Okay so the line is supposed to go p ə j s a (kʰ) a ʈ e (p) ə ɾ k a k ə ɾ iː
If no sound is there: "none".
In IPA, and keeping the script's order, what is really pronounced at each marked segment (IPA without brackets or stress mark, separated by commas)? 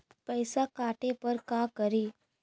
k, p